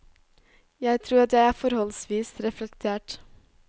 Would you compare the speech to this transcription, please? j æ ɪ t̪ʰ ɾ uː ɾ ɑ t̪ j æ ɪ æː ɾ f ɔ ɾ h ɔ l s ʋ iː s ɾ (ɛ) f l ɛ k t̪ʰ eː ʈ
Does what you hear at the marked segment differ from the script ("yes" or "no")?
no